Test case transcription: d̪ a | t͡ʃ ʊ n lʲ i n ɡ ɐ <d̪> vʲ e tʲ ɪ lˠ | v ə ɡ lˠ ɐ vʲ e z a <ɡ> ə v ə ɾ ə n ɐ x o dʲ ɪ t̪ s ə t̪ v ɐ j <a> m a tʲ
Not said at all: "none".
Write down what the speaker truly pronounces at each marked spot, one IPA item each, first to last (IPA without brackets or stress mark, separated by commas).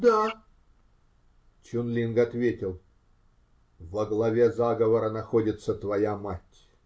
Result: t̪, ɡ, a